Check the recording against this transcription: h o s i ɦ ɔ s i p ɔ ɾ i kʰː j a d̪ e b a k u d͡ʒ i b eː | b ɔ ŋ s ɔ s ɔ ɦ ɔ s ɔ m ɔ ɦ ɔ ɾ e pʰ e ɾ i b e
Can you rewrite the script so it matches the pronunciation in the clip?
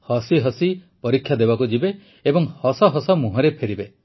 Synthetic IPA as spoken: h ɔ s i ɦ ɔ s i p ɔ ɾ i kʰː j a d̪ e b a k u d͡ʒ i b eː | b ɔ ŋ h ɔ s ɔ ɦ ɔ s ɔ m u ɦ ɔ ɾ e pʰ e ɾ i b e